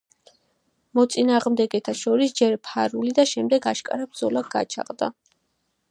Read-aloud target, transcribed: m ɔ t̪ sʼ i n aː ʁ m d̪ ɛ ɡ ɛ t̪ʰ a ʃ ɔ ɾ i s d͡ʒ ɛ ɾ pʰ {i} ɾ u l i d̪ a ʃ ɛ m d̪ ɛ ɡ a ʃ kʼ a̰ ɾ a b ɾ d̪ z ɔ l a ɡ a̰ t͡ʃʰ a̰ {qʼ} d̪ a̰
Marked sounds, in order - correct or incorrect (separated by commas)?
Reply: incorrect, correct